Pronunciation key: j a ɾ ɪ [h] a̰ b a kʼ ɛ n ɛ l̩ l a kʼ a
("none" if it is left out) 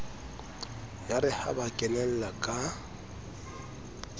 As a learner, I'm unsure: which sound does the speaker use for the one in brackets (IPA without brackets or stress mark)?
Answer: h